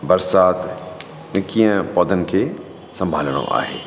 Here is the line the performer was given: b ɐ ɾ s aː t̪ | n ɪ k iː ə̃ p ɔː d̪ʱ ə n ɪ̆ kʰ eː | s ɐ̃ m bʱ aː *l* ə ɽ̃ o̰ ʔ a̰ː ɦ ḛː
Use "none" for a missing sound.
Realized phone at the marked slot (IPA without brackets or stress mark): l